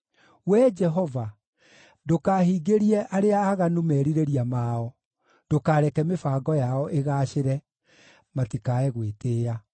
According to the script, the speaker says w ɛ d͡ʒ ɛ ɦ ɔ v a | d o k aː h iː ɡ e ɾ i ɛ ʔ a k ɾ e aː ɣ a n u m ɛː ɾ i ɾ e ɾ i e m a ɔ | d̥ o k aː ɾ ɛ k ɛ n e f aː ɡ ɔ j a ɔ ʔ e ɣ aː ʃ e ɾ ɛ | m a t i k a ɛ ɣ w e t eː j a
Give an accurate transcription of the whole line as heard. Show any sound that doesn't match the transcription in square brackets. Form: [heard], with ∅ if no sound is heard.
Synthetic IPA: w ɛ d͡ʒ ɛ ɦ ɔ v a | d o k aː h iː ɡ e ɾ i ɛ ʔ a [∅] ɾ e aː ɣ a n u m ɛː ɾ i ɾ e ɾ i [a] m a ɔ | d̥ o k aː ɾ ɛ k ɛ [m] e f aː ɡ ɔ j a ɔ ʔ e ɣ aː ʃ e ɾ ɛ | m a t i k a ɛ ɣ w e t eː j a